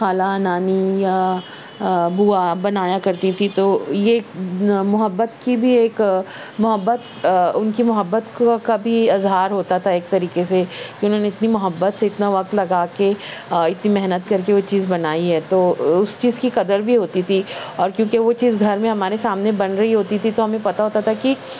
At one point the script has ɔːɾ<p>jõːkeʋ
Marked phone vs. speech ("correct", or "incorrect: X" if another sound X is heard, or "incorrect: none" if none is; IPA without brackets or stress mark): incorrect: k